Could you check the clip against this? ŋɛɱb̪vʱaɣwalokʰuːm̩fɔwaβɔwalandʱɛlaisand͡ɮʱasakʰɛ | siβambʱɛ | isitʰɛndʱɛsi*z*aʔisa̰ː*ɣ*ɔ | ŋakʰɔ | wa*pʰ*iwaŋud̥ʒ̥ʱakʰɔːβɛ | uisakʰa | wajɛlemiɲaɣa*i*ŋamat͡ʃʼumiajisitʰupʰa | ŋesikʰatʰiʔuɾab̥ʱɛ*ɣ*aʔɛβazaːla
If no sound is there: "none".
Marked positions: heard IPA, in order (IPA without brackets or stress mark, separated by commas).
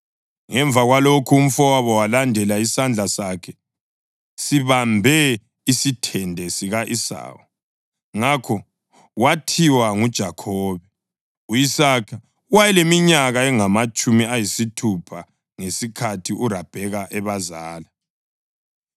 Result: ɣ, w, tʰ, ɛ, ɣ